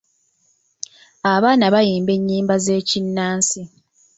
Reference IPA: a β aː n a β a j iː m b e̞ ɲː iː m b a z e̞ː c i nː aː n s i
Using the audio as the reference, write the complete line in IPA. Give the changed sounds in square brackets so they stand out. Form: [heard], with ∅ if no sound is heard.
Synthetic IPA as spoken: a β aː n a β a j iː m b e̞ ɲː iː m b a z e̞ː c i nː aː n s i